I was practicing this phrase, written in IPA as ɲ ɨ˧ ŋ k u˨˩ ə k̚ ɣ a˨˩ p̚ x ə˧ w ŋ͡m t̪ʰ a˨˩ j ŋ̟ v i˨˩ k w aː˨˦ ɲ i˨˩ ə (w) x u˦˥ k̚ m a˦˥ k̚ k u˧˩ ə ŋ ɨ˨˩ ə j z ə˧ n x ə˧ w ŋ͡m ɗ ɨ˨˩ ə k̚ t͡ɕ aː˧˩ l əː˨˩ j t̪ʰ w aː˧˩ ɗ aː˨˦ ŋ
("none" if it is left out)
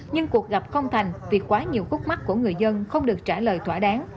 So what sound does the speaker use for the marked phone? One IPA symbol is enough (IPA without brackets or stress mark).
w